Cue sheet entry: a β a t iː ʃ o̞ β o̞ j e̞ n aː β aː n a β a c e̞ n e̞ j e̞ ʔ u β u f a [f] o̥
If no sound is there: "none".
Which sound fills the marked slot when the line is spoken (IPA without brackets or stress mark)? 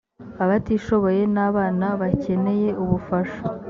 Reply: ʃ